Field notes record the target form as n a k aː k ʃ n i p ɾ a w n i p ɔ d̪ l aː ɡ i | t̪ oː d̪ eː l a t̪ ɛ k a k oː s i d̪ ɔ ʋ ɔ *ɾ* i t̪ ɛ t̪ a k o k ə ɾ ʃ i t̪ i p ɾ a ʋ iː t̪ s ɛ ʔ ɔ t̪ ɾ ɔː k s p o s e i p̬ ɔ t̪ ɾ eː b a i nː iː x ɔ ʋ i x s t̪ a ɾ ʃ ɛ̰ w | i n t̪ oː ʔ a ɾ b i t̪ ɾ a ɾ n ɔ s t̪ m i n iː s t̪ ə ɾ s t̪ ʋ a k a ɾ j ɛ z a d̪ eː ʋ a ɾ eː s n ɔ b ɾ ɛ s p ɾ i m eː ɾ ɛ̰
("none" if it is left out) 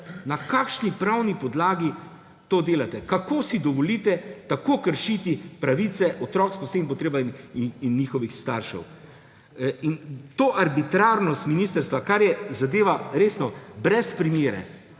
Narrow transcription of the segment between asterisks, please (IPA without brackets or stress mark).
l